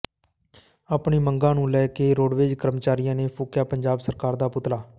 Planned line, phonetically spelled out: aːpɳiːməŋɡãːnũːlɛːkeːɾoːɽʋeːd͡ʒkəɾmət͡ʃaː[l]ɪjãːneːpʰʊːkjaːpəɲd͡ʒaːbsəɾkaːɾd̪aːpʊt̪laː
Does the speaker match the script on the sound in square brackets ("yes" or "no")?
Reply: no